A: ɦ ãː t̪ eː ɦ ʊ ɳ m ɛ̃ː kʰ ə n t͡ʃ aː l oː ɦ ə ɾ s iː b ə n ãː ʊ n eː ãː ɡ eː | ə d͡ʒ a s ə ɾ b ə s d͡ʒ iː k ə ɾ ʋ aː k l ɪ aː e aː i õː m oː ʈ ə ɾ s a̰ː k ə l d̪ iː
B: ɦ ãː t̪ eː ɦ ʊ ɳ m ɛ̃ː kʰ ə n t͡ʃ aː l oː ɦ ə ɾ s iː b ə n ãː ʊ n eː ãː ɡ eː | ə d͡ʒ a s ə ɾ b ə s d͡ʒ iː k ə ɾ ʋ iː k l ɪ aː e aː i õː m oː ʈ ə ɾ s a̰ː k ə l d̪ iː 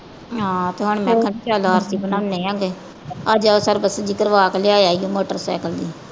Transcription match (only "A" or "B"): A